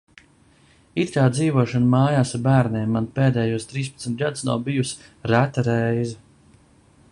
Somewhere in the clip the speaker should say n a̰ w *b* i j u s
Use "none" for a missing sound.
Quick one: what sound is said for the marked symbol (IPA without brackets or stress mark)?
b